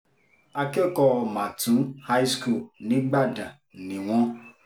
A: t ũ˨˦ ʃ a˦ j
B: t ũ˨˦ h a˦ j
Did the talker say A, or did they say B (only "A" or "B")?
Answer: B